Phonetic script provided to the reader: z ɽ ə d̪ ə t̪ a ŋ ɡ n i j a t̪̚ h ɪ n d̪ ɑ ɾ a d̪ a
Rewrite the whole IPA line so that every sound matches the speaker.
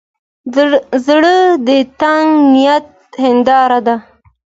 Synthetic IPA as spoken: z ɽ ə d̪ ə t̪ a ŋ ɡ n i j a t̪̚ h ɪ n d̪ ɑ ɾ a d̪ a

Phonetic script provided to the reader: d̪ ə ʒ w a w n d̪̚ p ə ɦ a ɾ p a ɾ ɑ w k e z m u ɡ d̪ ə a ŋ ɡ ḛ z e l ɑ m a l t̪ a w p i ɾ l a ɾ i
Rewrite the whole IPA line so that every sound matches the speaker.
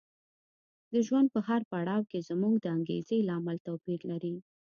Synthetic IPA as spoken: d̪ ə ʒ w a n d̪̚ p ə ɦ a ɾ p a ɽ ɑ w k e z m u ɡ d̪ ə a ŋ ɡ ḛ z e l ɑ m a l t̪ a w p i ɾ l a ɾ i

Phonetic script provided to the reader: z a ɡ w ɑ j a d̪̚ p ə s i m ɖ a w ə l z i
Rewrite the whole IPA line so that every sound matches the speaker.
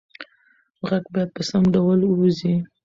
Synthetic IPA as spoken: ɣ a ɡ b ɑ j a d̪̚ p ə s a m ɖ a w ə l z i

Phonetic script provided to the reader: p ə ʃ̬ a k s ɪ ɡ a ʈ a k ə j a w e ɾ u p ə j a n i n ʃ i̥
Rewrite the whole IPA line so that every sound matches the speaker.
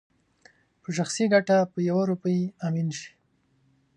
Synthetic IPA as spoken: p ə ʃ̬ a x s i ɡ a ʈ a p ə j a w a ɾ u p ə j a m i n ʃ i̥

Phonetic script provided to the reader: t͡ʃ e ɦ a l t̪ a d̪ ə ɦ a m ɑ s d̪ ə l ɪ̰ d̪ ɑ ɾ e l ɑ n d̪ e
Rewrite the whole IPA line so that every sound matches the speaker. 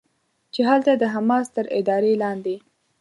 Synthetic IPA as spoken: t͡ʃ e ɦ a l t̪ a d̪ ə ɦ a m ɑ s t̪ ə ɾ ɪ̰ d̪ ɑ ɾ e l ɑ n d̪ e

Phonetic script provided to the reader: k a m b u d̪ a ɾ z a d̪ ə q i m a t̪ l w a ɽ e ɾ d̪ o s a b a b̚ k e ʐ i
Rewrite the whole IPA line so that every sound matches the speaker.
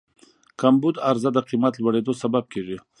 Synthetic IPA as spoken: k a m b u d̪ a ɾ z a d̪ ə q i m a t̪ l w a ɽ e d̪ o s a b a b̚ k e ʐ i

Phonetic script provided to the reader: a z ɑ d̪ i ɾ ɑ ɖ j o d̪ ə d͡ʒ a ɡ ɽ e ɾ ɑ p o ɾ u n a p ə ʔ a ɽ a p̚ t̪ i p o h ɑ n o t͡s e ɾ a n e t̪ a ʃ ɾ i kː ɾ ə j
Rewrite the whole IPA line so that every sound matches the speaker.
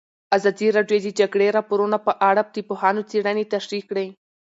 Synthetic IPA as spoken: a z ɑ d̪ i ɾ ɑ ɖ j o d̪ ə d͡ʒ a ɡ ɽ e ɾ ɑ p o ɾ u n a p ə ʔ a ɽ a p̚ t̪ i p o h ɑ n o t͡s e ɽ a n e t̪ a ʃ ɾ i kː ɽ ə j

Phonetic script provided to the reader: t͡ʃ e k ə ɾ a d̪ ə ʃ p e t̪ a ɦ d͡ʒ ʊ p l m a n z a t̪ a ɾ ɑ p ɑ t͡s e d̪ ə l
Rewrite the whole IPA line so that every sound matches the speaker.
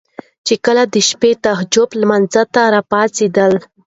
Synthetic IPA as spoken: t͡ʃ e k ə l a d̪ ə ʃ p e t̪ a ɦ d͡ʒ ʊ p l m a n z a t̪ a ɾ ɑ p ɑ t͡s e d̪ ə l

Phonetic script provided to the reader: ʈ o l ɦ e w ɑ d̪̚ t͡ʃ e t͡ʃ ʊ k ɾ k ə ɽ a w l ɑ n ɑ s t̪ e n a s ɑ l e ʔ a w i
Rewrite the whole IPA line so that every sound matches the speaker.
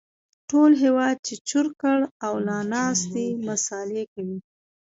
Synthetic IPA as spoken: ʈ o l ɦ e w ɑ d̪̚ t͡ʃ e t͡ʃ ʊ ɾ k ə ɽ a w l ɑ n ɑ s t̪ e m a s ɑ l e k a w i

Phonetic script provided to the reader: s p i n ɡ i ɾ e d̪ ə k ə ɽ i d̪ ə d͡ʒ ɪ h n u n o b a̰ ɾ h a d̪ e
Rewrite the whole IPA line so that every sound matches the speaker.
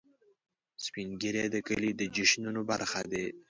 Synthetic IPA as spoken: s p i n ɡ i ɾ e d̪ ə k ə l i d̪ ə d͡ʒ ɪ ʃ n u n o b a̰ ɾ x a d̪ e

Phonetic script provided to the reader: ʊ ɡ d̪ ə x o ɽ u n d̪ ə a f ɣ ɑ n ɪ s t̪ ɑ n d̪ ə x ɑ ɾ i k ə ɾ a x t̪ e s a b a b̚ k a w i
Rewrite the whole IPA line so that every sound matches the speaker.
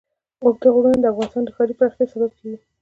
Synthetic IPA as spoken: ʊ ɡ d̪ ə ɣ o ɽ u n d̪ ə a f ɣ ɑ n ɪ s t̪ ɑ n d̪ ə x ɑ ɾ i p ə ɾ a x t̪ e s a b a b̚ k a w i

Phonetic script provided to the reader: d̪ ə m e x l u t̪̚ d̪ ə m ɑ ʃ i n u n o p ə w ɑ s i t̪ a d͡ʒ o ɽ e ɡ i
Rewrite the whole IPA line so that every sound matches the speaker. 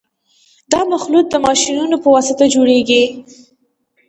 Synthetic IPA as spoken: d̪ ɑ m a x l u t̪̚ d̪ ə m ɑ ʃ i n u n o p ə w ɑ s ɪ t̪ a d͡ʒ o ɽ e ɡ i

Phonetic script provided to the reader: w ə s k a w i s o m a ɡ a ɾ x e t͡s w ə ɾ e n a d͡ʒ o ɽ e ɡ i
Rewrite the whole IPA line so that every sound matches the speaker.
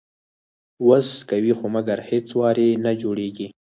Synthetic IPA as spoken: w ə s k a w i x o m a ɡ a ɾ h e t͡s w ɑ ɾ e n a d͡ʒ o ɽ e ɡ i

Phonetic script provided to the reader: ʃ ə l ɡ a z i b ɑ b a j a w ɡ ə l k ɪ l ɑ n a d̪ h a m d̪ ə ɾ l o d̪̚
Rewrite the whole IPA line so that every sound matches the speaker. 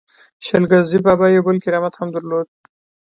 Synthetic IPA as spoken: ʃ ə l ɡ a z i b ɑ b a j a w b ə l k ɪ ɾ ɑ m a t̪ h a m d̪ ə ɾ l o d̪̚

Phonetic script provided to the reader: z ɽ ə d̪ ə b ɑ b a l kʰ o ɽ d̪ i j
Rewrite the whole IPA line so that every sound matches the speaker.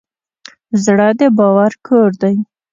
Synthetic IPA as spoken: z ɽ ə d̪ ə b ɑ w a ɾ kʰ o ɾ d̪ a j

